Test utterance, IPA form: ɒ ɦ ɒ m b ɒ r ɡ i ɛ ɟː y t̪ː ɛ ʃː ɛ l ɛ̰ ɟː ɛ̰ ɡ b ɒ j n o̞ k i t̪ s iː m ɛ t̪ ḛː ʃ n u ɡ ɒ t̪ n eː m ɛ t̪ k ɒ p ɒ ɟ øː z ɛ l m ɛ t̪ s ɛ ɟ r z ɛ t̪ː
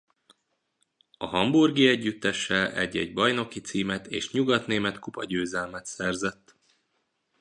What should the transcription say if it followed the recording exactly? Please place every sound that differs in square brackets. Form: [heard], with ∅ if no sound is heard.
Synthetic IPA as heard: ɒ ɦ ɒ m b [u] r ɡ i ɛ ɟː y t̪ː ɛ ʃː ɛ l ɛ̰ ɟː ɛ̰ [ɟ] b ɒ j n o̞ k i t̪ s iː m ɛ t̪ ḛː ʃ [ɲ] u ɡ ɒ t̪ n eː m ɛ t̪ k [u] p ɒ ɟ øː z ɛ l m ɛ t̪ s ɛ [∅] r z ɛ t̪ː